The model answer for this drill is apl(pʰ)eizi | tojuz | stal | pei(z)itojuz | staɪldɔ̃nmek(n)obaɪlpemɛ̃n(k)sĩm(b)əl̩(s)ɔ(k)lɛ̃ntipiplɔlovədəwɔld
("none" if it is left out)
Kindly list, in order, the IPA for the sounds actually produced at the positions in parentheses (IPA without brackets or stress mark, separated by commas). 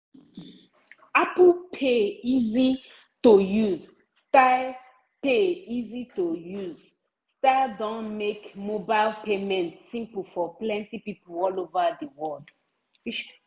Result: pʰ, z, m, t, p, f, p